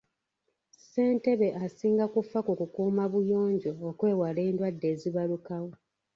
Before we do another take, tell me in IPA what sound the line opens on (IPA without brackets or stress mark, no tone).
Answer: s